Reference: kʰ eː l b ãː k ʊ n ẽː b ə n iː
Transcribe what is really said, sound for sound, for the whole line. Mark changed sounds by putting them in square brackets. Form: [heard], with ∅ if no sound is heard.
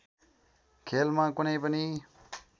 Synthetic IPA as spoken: kʰ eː l [m] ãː k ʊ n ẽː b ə n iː